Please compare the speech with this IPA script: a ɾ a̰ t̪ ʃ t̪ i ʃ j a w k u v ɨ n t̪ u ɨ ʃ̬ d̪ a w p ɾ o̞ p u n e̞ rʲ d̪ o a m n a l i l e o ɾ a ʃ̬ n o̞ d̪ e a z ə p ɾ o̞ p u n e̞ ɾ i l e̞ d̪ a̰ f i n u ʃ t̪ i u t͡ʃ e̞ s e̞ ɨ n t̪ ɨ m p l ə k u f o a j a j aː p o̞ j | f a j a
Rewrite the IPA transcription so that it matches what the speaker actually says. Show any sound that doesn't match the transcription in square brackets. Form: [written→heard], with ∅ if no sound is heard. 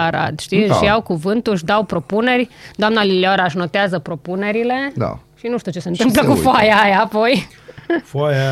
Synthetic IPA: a ɾ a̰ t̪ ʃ t̪ i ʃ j a w k u v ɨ n t̪ u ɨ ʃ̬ d̪ a w p ɾ o̞ p u n e̞ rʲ d̪ o a m n a l i l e o ɾ a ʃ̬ n o̞ [d̪→t̪] e a z ə p ɾ o̞ p u n e̞ ɾ i l e̞ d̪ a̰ [f→ʃ] i n u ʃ t̪ i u t͡ʃ e̞ s e̞ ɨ n t̪ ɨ m p l ə k u f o a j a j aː p o̞ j | f a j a